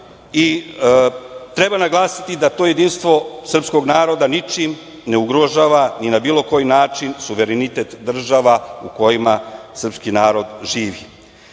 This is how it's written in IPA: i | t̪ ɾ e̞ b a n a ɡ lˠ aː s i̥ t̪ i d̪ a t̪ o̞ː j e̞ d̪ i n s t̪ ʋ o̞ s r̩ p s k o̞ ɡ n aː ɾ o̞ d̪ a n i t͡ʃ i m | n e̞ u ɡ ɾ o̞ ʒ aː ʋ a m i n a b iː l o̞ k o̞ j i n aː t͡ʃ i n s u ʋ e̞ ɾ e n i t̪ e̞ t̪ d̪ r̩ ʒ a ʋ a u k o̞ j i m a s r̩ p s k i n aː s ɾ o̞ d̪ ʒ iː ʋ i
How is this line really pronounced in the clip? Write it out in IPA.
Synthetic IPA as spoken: i | t̪ ɾ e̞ b a n a ɡ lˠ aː s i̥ t̪ i d̪ a t̪ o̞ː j e̞ d̪ i n s t̪ ʋ o̞ s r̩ p s k o̞ ɡ n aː ɾ o̞ d̪ a n i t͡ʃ i m | n e̞ u ɡ ɾ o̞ ʒ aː ʋ a n i n a b iː l o̞ k o̞ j i n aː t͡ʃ i n s u ʋ e̞ ɾ e n i t̪ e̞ t̪ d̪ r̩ ʒ a ʋ a u k o̞ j i m a s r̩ p s k i n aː ɾ o̞ d̪ ʒ iː ʋ i